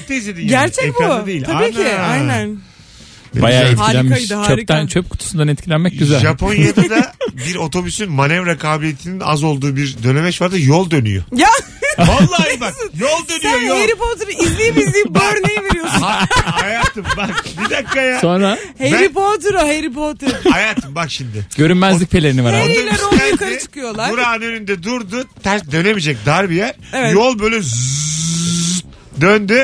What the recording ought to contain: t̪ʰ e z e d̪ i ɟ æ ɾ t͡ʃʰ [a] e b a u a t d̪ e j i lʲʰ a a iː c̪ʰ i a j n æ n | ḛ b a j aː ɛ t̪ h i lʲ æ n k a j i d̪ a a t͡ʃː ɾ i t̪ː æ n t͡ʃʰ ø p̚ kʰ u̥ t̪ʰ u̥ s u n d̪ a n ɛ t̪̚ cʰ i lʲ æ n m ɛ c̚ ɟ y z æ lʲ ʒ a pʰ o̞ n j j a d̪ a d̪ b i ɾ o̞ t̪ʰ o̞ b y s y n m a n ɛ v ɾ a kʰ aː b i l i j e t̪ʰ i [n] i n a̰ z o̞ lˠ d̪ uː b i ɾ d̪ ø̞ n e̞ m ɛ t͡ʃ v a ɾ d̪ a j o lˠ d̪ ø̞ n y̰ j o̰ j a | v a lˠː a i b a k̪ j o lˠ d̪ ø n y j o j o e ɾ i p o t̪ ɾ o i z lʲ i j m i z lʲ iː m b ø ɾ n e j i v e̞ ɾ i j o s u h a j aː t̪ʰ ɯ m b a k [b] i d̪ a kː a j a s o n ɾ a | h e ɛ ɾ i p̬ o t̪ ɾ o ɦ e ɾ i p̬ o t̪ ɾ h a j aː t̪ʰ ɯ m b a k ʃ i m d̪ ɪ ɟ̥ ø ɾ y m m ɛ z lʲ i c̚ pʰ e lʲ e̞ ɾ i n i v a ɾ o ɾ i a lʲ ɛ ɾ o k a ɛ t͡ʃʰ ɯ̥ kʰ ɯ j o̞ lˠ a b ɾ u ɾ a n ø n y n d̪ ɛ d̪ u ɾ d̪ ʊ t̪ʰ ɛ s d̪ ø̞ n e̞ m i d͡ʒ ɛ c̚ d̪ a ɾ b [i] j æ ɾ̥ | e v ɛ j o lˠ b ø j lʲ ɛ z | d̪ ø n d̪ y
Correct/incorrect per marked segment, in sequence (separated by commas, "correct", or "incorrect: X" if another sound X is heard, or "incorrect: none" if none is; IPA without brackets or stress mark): incorrect: ɛ, correct, correct, correct